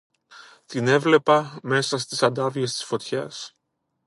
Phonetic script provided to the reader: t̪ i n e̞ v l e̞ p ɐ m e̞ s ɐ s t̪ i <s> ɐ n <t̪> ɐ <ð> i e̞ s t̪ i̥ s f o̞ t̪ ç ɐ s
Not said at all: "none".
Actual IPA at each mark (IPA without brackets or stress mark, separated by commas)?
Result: s, d̪, v